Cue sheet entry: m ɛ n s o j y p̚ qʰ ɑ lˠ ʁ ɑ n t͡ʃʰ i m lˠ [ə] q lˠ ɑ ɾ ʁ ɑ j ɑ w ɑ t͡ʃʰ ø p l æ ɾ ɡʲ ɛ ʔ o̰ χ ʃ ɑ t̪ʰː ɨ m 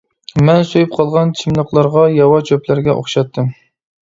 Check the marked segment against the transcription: correct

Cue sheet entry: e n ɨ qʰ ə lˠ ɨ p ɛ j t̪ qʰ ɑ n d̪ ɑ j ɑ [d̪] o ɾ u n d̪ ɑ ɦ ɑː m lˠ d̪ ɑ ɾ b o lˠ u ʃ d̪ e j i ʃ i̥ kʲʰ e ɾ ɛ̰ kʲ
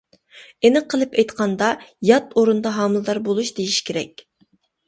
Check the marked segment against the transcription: incorrect: t̪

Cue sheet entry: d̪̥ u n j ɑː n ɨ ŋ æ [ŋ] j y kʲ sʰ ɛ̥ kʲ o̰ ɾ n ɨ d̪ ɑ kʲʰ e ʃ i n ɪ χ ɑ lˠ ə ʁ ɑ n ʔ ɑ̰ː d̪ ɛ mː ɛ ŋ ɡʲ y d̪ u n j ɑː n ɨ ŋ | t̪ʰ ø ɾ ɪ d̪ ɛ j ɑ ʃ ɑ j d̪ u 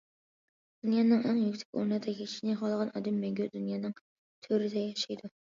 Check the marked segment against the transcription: correct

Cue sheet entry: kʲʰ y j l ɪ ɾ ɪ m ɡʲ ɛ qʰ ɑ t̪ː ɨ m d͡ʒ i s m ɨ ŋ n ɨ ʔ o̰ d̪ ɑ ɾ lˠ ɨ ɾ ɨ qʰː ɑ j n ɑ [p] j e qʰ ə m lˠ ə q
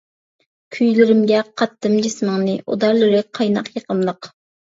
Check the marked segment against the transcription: incorrect: q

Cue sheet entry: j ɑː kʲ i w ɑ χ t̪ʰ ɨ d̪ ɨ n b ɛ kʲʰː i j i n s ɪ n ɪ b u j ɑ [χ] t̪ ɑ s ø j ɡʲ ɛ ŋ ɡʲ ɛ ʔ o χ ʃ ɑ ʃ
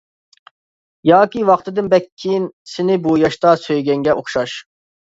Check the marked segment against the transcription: incorrect: ʃ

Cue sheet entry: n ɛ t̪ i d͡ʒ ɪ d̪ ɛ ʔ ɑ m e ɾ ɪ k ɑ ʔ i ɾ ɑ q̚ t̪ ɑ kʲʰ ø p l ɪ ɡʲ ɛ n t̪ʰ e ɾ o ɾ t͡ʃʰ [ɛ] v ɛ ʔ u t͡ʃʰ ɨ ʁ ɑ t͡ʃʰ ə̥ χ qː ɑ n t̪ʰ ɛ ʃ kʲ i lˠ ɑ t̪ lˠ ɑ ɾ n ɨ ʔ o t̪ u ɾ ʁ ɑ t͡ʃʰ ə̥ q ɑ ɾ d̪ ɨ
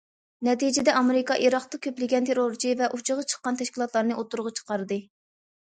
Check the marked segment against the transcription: incorrect: i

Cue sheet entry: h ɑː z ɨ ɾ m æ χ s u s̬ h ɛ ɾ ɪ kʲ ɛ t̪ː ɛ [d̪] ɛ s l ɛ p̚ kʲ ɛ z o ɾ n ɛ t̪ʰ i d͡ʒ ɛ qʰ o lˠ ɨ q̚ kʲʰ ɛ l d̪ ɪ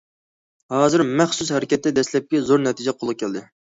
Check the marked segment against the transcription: correct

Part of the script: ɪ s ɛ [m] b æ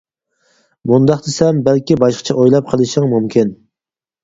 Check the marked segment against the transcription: correct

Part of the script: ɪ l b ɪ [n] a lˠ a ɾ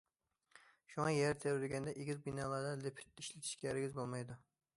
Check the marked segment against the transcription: correct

